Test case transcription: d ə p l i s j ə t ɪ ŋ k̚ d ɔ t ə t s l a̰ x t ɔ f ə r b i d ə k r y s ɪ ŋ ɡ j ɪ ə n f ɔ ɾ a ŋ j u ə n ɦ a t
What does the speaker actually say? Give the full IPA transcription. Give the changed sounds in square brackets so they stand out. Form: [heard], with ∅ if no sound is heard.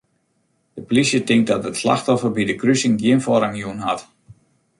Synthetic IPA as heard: d ə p l i s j ə t ɪ ŋ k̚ d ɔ t ə t s l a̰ x t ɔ f ə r b i d ə k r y s ɪ ŋ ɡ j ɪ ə n f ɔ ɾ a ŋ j u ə n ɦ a t